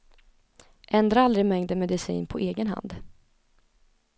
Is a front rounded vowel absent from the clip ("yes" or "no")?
yes